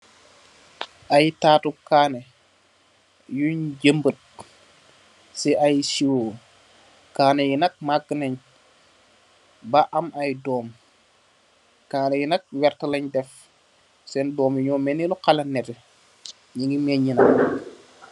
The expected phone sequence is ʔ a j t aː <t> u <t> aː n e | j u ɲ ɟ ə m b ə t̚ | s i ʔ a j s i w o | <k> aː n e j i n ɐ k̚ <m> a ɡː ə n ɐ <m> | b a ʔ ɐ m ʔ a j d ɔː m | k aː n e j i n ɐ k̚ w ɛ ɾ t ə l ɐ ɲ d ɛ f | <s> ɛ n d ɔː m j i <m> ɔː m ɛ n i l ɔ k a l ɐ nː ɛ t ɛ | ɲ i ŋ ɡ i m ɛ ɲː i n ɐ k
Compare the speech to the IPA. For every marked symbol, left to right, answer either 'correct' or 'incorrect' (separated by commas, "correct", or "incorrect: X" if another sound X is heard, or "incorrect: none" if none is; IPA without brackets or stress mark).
correct, incorrect: k, correct, correct, incorrect: ɲ, correct, incorrect: ɲ